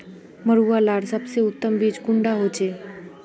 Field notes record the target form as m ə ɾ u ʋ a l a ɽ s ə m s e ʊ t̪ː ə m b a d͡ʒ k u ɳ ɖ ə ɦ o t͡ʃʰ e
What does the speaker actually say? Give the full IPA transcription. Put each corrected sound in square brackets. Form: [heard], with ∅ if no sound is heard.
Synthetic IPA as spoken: m ə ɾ u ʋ a l a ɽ s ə [b] s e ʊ t̪ː ə m b [i] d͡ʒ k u ɳ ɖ [a] ɦ o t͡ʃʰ e

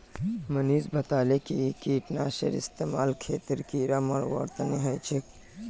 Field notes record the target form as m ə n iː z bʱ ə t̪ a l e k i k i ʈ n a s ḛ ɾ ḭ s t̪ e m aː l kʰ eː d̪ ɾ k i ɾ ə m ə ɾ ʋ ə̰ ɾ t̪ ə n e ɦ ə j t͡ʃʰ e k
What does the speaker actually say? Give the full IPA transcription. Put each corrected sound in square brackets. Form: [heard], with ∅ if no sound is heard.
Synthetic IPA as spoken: m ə n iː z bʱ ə t̪ a l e k i k i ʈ n a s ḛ ɾ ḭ s t̪ e m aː l kʰ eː [t̪] ɾ k i ɾ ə m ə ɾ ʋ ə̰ ɾ t̪ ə n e ɦ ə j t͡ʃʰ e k

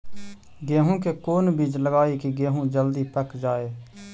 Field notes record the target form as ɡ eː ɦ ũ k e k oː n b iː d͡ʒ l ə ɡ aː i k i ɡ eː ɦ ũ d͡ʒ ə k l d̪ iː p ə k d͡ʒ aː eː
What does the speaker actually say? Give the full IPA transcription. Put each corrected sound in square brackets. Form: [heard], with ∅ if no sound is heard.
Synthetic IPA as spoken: ɡ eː ɦ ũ k e k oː n b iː d͡ʒ l ə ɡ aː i k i ɡ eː ɦ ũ d͡ʒ ə [∅] l d̪ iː p ə k d͡ʒ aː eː

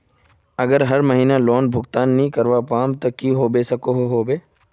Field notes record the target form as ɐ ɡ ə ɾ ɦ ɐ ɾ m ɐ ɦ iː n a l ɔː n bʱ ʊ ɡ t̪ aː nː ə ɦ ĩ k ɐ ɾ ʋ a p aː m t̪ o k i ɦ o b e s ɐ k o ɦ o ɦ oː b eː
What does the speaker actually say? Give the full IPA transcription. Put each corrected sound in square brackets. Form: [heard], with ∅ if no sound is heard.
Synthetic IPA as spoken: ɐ ɡ ə ɾ ɦ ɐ ɾ m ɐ ɦ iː n a l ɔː n bʱ ʊ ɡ t̪ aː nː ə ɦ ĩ k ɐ ɾ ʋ a p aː m t̪ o k i ɦ o b e s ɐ k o ɦ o ɦ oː b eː

